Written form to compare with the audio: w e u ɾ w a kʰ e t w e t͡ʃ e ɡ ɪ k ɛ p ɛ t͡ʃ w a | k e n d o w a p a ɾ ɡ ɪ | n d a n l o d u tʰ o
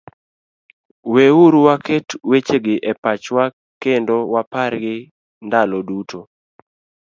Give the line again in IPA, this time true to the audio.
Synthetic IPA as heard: w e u ɾ w a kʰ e t w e t͡ʃ e ɡ ɪ ʔ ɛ p a t͡ʃ w a | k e n d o w a p a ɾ ɡ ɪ | n d a l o d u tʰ o